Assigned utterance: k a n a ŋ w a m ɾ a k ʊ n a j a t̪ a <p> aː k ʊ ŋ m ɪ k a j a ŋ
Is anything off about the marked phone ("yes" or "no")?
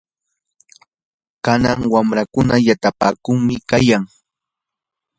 no